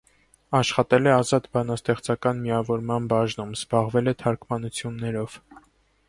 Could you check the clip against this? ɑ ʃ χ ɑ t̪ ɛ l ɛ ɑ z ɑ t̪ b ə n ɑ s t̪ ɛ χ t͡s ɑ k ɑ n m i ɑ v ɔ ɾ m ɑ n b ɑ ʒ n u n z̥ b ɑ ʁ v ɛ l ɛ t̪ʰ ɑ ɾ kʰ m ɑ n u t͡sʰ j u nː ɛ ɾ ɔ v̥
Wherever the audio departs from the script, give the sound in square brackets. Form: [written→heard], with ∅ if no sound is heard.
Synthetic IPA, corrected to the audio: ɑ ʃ χ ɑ t̪ ɛ l ɛ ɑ z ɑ t̪ b [ə→ɑ] n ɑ s t̪ ɛ χ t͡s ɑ k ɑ n m i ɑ v ɔ ɾ m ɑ n b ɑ ʒ n u [n→m] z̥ b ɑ ʁ v ɛ l ɛ t̪ʰ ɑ ɾ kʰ m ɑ n u t͡sʰ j u nː ɛ ɾ ɔ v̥